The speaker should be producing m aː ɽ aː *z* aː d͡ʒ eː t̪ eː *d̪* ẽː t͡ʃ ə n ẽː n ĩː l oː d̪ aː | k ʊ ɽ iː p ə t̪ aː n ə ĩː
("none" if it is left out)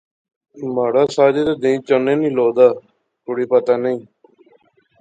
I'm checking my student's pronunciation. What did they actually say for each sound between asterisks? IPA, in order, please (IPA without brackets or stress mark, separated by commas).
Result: s, d̪